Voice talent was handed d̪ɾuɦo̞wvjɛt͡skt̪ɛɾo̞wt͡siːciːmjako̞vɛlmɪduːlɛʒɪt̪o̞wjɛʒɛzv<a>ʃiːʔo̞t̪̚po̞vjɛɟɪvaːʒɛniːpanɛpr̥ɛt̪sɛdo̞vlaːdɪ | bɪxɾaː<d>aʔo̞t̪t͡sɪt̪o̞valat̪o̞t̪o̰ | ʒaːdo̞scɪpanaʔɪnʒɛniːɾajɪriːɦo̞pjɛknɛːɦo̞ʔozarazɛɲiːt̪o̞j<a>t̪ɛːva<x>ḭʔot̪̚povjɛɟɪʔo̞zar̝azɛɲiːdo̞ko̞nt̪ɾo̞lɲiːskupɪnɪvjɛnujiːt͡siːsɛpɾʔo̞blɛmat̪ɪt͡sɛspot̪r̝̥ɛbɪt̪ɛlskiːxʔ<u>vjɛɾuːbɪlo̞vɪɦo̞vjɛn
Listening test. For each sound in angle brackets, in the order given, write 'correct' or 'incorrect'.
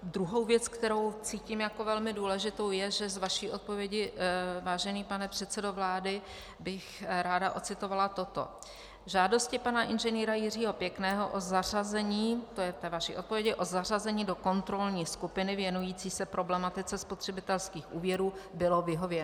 correct, correct, incorrect: ɛ, incorrect: ʃ, incorrect: uː

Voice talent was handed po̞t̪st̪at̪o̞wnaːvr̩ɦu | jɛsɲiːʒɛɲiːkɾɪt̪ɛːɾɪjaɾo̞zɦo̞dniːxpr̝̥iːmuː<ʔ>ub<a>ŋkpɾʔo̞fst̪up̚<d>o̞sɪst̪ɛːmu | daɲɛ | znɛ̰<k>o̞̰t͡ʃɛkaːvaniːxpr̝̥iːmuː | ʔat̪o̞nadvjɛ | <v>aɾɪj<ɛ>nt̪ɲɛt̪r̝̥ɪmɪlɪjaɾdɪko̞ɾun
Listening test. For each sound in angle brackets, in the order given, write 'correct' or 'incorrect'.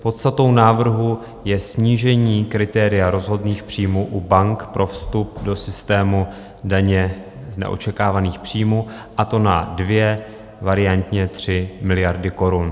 correct, correct, correct, incorrect: ʔ, correct, incorrect: a

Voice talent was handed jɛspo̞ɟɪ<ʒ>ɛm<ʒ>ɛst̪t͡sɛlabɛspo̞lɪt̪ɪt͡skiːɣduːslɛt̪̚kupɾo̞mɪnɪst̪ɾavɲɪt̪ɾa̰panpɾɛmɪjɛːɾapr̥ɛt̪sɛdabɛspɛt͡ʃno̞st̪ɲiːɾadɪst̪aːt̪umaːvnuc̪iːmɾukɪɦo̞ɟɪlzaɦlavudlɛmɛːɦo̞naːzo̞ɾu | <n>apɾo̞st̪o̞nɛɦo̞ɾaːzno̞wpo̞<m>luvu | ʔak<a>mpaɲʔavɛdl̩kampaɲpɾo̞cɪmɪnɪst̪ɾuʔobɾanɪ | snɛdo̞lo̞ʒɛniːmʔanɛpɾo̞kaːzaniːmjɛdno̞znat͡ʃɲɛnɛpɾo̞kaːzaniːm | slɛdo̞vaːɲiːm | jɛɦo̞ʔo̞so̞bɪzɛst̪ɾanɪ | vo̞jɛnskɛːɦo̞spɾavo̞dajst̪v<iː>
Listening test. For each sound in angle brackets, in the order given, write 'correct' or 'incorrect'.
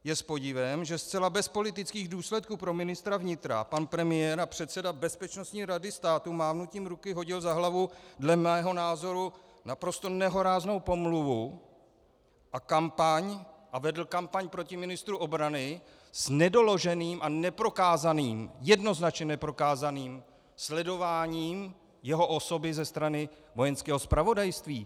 incorrect: v, correct, correct, correct, correct, correct

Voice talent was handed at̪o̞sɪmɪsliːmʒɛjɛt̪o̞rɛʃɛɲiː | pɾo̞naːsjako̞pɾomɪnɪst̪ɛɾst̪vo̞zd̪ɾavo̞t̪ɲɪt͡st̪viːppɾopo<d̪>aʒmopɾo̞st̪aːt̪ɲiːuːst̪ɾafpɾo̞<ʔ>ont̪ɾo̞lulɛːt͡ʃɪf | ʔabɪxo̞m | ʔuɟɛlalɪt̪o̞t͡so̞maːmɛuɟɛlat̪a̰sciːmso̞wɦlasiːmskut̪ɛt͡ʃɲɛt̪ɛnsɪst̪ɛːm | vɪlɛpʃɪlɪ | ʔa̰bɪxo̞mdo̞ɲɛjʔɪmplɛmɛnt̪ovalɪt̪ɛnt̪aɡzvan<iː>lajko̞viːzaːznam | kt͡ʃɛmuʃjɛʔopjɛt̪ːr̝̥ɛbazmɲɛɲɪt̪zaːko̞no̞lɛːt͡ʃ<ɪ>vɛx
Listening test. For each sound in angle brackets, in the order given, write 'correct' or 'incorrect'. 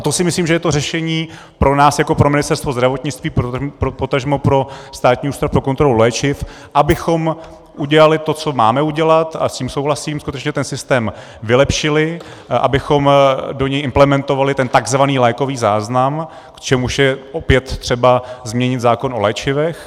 incorrect: t̪, incorrect: k, correct, correct

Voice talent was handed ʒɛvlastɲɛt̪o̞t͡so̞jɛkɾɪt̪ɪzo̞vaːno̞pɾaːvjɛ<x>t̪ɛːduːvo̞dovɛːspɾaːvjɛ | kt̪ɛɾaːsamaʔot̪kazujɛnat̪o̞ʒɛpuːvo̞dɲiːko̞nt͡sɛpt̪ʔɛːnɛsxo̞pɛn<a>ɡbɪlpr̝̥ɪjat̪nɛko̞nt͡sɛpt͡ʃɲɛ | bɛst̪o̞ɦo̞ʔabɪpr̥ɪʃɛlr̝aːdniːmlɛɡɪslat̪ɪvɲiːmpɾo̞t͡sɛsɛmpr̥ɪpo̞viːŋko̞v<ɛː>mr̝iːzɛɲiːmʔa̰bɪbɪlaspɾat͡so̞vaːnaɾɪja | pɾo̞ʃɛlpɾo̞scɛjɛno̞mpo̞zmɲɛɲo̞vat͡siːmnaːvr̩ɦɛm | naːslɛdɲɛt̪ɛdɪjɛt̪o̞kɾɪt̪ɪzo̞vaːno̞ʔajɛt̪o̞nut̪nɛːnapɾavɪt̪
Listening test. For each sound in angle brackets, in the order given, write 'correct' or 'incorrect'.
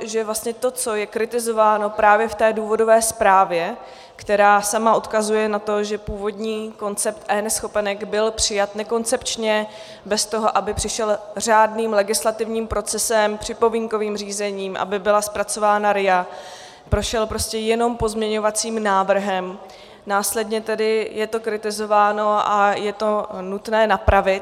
incorrect: f, incorrect: ɛ, incorrect: iː

